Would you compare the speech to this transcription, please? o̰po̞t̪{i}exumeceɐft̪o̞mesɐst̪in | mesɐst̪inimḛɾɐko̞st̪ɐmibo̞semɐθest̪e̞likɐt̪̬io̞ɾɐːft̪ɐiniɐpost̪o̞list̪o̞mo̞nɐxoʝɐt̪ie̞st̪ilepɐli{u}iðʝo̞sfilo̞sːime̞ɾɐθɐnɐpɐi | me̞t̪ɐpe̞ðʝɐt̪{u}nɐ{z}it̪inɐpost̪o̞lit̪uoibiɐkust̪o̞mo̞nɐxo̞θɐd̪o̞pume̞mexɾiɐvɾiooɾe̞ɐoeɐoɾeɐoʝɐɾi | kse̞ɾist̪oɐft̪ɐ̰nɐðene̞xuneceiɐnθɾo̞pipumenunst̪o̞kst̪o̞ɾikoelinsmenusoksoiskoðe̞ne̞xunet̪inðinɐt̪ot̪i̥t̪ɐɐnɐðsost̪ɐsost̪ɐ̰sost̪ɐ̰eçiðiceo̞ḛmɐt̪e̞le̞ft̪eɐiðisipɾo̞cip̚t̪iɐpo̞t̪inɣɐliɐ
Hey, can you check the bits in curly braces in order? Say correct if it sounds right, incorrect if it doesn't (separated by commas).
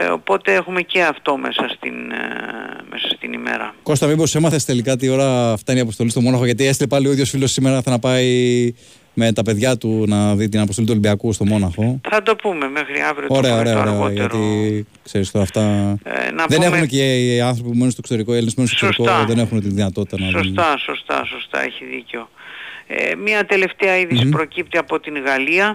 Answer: incorrect, incorrect, correct, incorrect